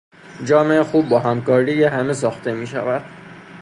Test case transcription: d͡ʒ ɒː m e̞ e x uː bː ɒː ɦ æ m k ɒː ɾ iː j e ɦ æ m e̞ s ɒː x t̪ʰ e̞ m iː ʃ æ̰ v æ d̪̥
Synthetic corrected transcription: d͡ʒ ɒː m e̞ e x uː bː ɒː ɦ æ m k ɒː ɾ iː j e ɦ æ m e̞ s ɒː x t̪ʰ e̞ m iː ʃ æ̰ v æ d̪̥